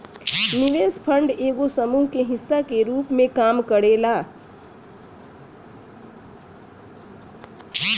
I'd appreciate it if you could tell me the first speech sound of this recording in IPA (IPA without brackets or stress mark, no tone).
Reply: n